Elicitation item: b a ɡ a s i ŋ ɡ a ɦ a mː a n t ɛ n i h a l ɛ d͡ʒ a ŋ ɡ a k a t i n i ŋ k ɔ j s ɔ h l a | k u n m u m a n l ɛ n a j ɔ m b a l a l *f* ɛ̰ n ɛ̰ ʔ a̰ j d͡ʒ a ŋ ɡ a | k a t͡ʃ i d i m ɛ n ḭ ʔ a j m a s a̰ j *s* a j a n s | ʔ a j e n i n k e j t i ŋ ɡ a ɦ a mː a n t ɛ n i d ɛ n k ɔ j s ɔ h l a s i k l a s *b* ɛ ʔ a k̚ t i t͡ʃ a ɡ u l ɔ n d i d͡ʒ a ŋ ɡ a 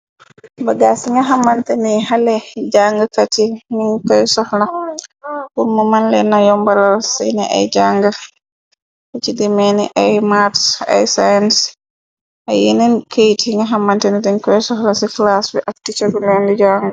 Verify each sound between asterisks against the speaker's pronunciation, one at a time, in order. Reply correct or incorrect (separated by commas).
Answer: incorrect, correct, correct